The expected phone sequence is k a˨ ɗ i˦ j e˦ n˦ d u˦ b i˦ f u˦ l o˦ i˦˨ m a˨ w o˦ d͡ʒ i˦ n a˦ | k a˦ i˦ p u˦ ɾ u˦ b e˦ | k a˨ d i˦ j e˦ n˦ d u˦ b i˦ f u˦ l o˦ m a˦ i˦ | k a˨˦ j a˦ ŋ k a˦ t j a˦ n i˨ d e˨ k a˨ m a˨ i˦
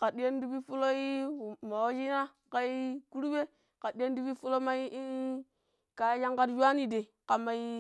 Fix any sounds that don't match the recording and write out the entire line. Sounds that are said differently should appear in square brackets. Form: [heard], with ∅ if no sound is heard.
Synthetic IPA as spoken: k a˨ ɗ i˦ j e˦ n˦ d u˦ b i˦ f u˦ l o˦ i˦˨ m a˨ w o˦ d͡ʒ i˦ n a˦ | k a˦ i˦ [k] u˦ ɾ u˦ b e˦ | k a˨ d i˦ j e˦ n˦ d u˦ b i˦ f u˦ l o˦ m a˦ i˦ | k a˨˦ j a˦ ŋ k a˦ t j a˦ n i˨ d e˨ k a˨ m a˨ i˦